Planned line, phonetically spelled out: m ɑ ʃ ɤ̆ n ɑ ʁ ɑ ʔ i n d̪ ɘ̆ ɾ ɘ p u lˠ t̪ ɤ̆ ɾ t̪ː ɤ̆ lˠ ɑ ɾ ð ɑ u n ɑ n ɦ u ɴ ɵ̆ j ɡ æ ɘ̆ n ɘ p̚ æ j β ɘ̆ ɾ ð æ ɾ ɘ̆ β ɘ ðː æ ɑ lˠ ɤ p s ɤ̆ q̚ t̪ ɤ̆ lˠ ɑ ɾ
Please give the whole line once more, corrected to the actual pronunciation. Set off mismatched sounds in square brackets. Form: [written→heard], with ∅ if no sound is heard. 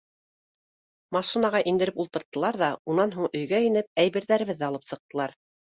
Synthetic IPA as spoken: m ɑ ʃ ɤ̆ n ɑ ʁ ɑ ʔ i n d̪ ɘ̆ ɾ ɘ p u lˠ t̪ ɤ̆ ɾ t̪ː ɤ̆ lˠ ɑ ɾ ð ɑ u n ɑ n ɦ u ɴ ɵ̆ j ɡ æ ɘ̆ n ɘ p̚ æ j β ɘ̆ ɾ ð æ ɾ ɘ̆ β ɘ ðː æ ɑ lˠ ɤ p s ɤ̆ q̚ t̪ ɤ̆ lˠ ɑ ɾ